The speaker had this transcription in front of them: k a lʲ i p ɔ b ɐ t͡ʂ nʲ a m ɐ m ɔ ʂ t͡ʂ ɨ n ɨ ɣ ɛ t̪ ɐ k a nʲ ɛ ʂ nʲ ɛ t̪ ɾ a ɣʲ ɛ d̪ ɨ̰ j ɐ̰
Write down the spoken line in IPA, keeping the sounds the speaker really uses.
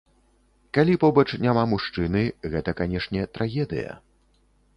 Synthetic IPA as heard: k a lʲ i p ɔ b ɐ t͡ʂ nʲ a m a m u ʂ t͡ʂ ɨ n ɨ ɣ ɛ t̪ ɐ k a nʲ ɛ ʂ nʲ ɛ t̪ ɾ a ɣʲ ɛ d̪ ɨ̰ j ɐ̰